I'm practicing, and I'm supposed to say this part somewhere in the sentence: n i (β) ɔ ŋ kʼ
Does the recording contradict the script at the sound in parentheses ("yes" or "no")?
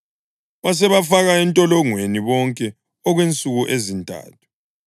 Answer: no